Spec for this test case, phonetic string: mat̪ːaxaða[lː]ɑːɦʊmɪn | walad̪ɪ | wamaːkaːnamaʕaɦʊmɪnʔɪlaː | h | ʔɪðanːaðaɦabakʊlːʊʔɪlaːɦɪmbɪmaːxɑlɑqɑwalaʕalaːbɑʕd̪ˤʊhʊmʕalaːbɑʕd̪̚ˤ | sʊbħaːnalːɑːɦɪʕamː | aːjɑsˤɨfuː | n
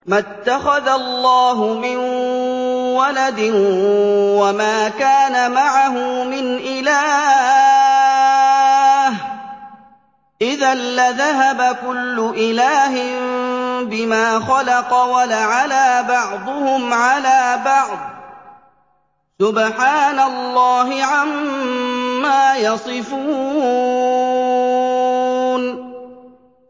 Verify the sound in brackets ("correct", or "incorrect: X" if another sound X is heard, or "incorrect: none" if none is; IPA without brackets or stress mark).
correct